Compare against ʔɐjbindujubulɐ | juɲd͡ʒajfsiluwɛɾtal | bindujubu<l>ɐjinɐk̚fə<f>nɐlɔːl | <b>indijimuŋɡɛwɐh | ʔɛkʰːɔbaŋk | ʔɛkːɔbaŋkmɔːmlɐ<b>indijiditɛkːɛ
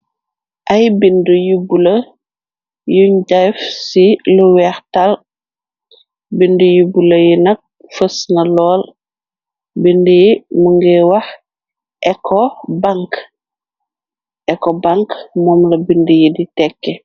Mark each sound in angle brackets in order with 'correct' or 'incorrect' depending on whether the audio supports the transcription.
correct, incorrect, correct, correct

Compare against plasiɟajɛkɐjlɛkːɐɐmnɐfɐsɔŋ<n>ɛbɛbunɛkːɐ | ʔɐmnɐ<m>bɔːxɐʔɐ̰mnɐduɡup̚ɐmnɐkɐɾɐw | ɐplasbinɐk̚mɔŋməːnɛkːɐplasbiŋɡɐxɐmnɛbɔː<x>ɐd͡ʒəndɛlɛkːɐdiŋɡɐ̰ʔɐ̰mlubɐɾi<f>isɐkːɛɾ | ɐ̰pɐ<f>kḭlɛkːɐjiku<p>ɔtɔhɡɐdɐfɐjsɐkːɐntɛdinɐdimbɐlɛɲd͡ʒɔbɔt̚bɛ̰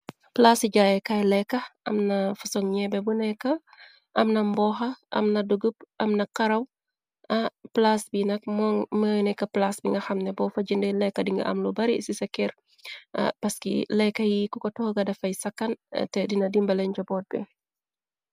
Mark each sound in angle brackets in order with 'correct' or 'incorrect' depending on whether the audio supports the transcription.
incorrect, correct, incorrect, incorrect, incorrect, incorrect

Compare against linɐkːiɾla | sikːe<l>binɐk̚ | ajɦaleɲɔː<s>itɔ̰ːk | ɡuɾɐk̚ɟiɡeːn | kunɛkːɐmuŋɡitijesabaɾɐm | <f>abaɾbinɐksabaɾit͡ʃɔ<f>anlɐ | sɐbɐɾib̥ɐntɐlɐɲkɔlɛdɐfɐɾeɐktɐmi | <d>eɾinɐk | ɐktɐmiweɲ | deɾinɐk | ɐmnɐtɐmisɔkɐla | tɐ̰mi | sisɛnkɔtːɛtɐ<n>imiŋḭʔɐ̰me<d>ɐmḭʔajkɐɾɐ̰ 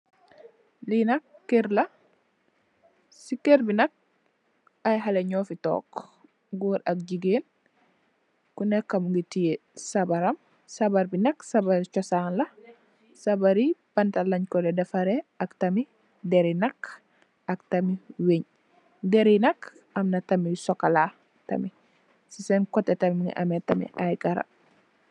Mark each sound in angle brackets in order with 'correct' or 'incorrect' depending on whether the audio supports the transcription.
incorrect, incorrect, incorrect, incorrect, correct, incorrect, incorrect

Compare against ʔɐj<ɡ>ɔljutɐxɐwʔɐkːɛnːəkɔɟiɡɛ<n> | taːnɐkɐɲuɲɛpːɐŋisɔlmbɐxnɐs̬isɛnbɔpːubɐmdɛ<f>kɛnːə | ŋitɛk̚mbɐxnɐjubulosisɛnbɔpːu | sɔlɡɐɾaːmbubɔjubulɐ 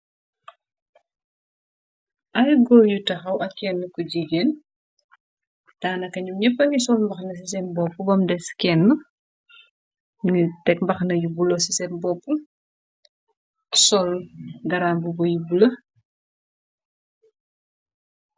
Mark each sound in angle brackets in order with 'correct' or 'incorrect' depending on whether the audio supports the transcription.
correct, correct, incorrect

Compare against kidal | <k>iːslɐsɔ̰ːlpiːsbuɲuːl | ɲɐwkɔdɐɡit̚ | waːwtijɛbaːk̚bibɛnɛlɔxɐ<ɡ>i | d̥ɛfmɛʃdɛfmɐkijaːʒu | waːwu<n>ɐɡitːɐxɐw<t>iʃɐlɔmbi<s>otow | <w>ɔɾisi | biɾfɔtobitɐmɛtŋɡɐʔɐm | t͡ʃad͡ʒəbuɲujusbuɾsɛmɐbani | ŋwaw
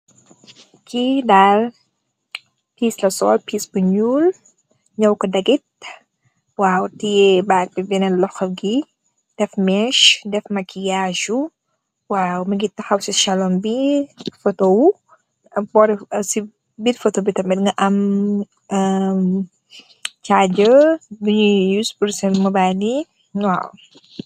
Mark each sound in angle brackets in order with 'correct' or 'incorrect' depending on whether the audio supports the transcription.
incorrect, correct, incorrect, incorrect, incorrect, incorrect

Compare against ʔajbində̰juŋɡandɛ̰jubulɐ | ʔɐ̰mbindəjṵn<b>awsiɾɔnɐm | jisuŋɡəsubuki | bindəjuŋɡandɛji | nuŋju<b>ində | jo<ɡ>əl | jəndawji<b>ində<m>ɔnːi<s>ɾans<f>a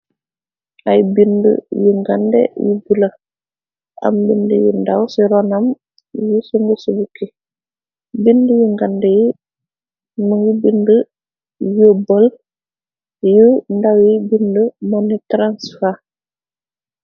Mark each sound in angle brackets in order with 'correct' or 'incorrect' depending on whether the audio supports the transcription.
incorrect, correct, incorrect, correct, correct, incorrect, correct

